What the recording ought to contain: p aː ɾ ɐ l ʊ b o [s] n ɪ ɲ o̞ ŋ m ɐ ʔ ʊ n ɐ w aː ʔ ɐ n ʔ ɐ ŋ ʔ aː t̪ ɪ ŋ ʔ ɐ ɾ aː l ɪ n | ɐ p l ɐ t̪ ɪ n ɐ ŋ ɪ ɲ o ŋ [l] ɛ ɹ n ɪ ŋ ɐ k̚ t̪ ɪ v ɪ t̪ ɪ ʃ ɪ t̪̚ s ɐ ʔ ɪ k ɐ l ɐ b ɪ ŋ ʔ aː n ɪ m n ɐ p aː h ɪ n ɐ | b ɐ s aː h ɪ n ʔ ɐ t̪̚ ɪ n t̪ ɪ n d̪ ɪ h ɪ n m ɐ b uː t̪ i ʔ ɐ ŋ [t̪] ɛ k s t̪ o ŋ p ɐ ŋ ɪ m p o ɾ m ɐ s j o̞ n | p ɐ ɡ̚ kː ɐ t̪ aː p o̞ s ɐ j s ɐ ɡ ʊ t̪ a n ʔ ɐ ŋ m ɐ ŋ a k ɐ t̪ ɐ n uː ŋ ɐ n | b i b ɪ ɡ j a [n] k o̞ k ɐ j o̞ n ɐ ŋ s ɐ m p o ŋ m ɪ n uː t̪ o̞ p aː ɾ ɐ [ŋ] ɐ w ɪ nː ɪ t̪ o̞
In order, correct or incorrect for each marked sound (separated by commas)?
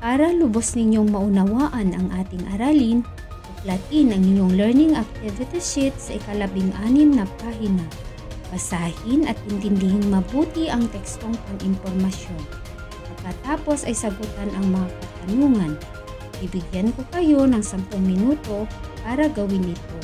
correct, correct, correct, correct, incorrect